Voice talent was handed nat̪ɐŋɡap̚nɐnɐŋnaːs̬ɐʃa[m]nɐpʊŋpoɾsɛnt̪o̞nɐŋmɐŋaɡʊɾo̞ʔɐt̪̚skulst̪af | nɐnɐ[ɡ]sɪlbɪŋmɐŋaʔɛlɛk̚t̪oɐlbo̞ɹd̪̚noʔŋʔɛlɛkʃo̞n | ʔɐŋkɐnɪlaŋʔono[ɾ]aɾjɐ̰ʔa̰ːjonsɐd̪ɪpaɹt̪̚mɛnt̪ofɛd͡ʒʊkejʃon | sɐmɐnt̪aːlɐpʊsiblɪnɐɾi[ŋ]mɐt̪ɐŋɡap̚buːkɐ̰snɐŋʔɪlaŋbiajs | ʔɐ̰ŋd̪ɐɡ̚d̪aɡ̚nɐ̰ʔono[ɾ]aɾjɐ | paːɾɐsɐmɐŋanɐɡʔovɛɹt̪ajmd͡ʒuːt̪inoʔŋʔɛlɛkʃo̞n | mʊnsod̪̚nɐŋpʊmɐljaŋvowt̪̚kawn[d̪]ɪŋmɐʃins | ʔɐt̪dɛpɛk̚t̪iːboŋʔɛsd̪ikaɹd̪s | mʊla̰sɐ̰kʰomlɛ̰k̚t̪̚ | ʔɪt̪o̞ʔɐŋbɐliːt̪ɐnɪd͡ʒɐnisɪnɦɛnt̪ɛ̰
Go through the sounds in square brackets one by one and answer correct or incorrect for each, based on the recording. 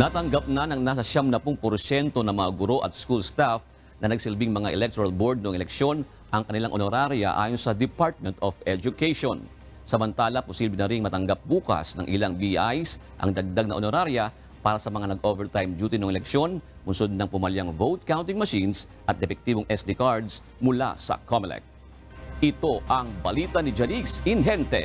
correct, correct, correct, correct, correct, incorrect: t̪

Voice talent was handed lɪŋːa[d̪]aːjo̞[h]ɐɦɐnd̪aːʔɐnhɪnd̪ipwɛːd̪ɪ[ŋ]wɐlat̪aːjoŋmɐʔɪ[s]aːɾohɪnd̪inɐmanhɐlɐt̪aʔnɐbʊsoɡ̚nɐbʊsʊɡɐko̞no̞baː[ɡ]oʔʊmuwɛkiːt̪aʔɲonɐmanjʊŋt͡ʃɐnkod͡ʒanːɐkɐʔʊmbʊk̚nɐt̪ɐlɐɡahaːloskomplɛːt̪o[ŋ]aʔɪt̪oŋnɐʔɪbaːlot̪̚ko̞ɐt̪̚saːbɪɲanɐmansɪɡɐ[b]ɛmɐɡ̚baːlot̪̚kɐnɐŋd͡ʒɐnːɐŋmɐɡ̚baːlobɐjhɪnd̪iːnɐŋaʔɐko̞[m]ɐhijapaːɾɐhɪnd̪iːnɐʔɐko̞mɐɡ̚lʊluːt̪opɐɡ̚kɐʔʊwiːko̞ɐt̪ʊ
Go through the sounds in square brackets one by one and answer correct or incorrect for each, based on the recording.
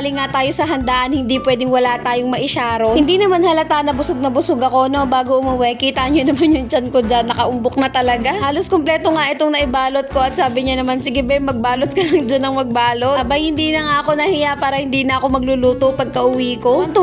incorrect: t̪, incorrect: s, correct, incorrect: ʃ, correct, correct, correct, incorrect: n

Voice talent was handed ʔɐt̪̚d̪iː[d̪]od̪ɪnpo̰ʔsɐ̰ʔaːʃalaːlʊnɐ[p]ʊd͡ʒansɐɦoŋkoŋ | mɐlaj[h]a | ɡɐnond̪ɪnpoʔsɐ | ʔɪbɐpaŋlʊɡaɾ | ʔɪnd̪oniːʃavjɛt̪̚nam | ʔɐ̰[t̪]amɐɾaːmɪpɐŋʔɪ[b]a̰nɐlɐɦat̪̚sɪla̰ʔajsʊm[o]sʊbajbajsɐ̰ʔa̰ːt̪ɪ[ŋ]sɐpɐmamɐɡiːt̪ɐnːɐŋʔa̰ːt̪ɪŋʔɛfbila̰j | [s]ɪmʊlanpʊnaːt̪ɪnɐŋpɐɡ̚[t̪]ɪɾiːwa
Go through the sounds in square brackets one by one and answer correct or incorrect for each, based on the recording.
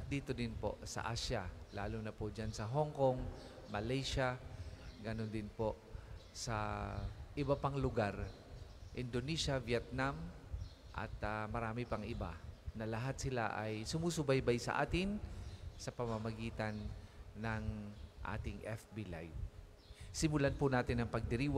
incorrect: t̪, correct, incorrect: ʃ, correct, correct, incorrect: u, incorrect: n, correct, incorrect: d̪

